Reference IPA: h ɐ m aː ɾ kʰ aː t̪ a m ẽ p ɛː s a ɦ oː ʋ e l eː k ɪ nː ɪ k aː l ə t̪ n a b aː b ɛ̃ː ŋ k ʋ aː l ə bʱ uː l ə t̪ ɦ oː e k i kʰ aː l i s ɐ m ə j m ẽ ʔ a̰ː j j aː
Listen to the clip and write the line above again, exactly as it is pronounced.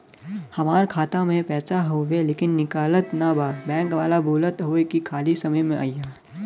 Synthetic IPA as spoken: h ɐ m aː ɾ kʰ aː t̪ a m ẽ p ɛː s a ɦ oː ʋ e l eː k ɪ nː ɪ k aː l ə t̪ n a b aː b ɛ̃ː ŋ k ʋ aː l a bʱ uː l ə t̪ ɦ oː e k i kʰ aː l i s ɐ m ə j m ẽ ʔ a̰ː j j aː